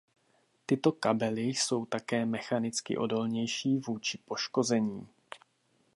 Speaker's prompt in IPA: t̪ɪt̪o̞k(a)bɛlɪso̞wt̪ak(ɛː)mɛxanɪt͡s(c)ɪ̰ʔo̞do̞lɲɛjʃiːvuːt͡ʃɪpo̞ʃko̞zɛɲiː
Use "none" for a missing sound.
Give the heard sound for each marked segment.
a, ɛː, k

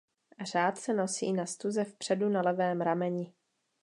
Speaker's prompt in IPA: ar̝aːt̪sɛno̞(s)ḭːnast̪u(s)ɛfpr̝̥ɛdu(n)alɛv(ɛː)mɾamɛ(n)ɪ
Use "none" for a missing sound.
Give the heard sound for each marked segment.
s, z, n, ɛː, ɲ

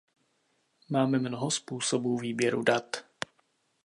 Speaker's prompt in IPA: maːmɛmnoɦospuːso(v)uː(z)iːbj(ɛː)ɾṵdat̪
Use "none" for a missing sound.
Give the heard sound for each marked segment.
b, v, ɛ

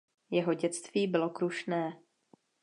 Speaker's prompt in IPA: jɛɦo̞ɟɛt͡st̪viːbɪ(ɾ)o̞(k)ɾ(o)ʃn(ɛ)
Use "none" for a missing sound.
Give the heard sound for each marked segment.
l, k, u, ɛː

